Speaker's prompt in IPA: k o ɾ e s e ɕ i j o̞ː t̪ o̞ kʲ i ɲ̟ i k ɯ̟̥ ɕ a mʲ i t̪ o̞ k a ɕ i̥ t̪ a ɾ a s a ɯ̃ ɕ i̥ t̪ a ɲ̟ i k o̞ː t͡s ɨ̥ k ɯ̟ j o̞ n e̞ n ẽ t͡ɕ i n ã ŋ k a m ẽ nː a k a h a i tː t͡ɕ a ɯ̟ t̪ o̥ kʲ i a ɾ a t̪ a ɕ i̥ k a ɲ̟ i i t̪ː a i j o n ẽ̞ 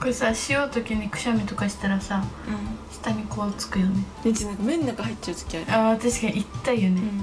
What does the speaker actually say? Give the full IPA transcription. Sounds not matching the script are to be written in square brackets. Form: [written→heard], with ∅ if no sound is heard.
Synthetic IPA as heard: k o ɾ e s [e→a] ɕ i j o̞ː t̪ o̞ kʲ i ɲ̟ i k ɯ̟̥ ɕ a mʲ i t̪ o̞ k a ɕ i̥ t̪ a ɾ a s a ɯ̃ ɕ i̥ t̪ a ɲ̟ i k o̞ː t͡s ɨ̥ k ɯ̟ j o̞ n e̞ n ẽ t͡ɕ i n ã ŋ k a m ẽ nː a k a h a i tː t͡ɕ a ɯ̟ t̪ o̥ kʲ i a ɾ a t̪ a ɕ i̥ k a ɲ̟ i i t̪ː a i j o n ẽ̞